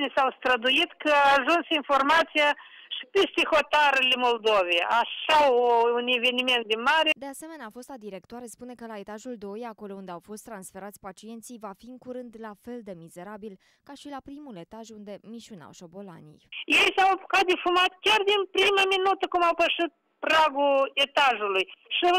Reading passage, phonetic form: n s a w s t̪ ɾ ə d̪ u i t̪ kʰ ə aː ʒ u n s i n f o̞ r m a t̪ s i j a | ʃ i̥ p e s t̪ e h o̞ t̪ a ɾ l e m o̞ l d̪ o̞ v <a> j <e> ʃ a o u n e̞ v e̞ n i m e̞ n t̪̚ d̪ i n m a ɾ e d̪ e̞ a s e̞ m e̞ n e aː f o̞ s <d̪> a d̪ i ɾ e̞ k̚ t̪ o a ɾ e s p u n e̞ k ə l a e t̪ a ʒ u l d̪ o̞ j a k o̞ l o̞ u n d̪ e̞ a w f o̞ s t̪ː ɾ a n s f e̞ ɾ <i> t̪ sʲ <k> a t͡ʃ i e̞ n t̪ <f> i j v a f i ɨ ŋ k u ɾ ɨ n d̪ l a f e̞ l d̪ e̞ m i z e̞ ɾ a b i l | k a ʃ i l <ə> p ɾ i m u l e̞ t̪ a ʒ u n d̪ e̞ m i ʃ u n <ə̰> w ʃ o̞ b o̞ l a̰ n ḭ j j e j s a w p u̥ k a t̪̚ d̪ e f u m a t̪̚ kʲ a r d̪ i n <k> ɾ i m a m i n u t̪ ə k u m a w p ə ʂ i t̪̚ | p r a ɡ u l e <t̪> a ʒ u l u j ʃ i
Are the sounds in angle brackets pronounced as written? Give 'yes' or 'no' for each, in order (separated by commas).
no, no, no, no, no, no, no, no, no, yes